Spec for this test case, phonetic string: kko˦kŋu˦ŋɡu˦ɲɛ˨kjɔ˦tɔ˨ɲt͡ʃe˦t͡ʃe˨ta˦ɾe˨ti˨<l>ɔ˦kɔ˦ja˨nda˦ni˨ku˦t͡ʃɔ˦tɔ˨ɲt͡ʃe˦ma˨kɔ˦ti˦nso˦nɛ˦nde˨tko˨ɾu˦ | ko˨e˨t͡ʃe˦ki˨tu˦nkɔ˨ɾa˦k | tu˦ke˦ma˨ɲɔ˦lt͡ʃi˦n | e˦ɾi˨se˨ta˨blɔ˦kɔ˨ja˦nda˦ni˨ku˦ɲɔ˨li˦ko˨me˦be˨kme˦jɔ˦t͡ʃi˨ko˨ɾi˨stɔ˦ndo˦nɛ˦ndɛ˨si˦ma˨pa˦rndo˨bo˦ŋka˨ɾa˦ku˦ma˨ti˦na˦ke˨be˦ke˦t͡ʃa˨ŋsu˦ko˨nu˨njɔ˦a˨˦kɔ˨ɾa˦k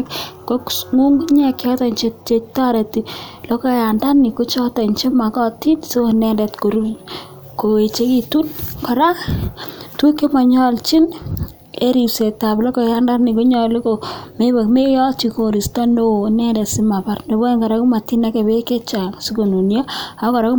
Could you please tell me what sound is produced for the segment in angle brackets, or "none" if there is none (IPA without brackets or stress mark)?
l